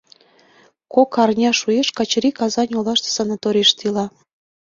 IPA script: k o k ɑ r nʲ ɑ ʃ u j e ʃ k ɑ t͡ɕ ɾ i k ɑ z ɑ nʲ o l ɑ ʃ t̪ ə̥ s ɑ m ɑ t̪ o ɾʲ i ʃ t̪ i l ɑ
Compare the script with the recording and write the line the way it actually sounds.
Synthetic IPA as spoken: k o k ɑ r nʲ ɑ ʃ u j e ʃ k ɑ t͡ɕ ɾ i k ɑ z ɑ nʲ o l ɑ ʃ t̪ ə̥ s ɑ n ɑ t̪ o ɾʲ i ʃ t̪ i l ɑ